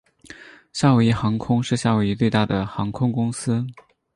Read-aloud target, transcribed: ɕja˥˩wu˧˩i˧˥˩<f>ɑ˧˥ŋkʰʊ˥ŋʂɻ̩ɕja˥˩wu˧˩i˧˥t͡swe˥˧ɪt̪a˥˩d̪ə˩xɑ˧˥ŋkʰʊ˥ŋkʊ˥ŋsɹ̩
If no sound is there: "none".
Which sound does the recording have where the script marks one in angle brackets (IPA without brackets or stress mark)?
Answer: x